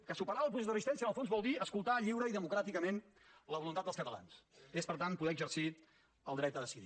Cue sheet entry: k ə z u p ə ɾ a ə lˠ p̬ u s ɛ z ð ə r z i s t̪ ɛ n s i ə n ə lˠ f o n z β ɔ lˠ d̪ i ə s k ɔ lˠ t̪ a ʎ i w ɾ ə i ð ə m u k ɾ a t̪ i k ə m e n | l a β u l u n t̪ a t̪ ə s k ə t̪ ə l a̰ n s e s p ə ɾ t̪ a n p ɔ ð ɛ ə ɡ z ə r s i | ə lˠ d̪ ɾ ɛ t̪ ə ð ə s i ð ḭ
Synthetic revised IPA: k ə s u p ə ɾ a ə lˠ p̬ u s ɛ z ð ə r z i s t̪ ɛ n s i ə n ə lˠ f o n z β ɔ lˠ d̪ i ə s k u lˠ t̪ a ʎ i w ɾ ə i ð ə m u k ɾ a t̪ i k ə m e n | l ə β u l u n t̪ a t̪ ə s k ə t̪ ə l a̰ n s e s p ə ɾ t̪ a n p u ð ɛ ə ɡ z ə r s i | ə lˠ d̪ ɾ ɛ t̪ ə ð ə s i ð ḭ